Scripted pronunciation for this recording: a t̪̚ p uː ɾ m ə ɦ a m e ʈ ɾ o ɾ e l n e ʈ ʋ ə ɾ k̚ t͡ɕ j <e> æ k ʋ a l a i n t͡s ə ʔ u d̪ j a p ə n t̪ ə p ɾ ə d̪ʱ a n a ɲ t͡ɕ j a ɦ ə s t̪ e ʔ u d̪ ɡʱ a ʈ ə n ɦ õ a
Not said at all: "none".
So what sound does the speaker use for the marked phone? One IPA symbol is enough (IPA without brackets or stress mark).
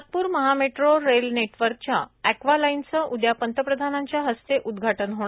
a